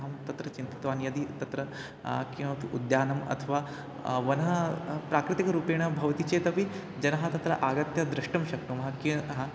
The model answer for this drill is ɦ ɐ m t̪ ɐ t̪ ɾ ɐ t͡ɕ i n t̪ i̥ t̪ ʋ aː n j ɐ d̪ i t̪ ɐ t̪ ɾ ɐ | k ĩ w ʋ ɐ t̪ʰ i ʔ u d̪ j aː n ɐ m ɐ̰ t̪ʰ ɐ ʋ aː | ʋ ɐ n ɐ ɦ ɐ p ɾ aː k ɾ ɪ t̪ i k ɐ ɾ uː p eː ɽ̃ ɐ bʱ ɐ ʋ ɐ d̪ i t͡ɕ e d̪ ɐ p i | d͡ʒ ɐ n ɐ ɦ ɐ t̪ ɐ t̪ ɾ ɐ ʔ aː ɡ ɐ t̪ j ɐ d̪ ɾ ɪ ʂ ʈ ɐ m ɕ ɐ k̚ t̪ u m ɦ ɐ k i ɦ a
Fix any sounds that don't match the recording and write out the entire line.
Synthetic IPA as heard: ɦ ɐ m t̪ ɐ t̪ ɾ ɐ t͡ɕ i n t̪ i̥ t̪ ʋ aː n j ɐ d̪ i t̪ ɐ t̪ ɾ ɐ | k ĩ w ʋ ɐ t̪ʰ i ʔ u d̪ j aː n ɐ m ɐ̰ t̪ʰ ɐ ʋ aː | ʋ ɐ n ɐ ɦ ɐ p ɾ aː k ɾ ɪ t̪ i k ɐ ɾ uː p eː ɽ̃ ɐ bʱ ɐ ʋ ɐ t̪ i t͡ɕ e t̪ ɐ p i | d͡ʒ ɐ n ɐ ɦ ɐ t̪ ɐ t̪ ɾ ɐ ʔ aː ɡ ɐ t̪ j ɐ d̪ ɾ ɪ ʂ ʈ ɐ m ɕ ɐ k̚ t̪ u m ɦ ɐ k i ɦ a